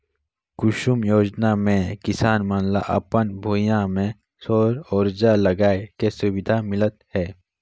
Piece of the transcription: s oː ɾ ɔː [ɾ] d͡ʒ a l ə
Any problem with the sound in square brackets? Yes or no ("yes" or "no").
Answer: no